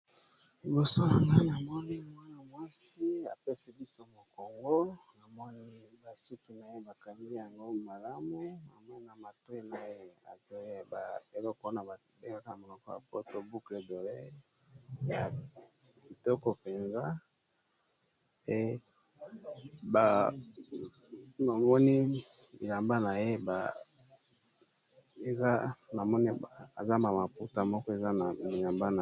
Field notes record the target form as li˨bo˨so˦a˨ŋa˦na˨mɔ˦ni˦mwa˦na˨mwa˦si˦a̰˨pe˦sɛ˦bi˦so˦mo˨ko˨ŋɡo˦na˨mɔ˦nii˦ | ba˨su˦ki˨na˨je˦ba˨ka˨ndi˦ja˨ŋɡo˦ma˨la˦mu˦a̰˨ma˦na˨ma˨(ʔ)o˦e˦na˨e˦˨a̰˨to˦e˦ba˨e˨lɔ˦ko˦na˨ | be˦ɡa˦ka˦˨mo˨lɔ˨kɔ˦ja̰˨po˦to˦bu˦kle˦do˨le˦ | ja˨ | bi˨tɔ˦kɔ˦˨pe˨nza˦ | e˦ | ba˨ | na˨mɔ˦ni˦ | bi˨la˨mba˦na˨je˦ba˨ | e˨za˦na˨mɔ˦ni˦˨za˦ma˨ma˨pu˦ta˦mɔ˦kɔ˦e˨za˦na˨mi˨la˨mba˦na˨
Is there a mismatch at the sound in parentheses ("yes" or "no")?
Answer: yes